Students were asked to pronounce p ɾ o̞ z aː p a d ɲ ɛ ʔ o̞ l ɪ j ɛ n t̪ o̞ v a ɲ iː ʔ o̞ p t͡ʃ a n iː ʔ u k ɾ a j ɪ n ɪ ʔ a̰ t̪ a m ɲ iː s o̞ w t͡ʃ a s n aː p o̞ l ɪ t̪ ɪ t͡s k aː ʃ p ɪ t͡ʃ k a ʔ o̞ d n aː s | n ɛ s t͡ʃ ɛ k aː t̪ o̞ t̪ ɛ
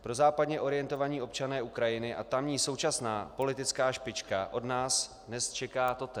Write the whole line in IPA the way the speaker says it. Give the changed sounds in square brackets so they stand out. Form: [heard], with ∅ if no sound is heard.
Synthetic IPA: p ɾ o̞ z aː p a d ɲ ɛ ʔ o̞ [ɾ] ɪ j ɛ n t̪ o̞ v a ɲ iː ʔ o̞ p t͡ʃ a n [ɛː] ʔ u k ɾ a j ɪ n ɪ ʔ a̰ t̪ a m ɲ iː s o̞ w t͡ʃ a s n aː p o̞ l ɪ t̪ ɪ t͡s k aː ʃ p ɪ t͡ʃ k a ʔ o̞ d n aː s | n ɛ s t͡ʃ ɛ k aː t̪ o̞ t̪ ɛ